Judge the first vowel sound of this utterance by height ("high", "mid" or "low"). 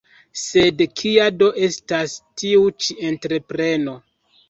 mid